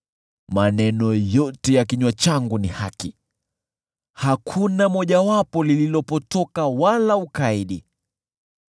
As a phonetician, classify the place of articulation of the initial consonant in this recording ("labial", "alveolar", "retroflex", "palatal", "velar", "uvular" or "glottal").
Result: labial